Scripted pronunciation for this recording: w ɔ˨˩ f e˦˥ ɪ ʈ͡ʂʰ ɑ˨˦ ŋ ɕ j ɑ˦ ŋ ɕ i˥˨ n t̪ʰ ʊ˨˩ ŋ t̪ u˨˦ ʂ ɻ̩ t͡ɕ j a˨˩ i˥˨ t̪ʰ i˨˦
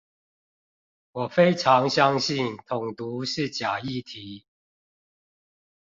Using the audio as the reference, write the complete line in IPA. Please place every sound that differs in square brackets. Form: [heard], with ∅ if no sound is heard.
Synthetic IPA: w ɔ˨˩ f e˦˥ ɪ ʈ͡ʂʰ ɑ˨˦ ŋ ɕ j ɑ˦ ŋ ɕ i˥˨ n t̪ʰ ʊ˨˩ ŋ t̪ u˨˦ ʂ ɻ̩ t͡ɕ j a˨˩ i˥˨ t̪ʰ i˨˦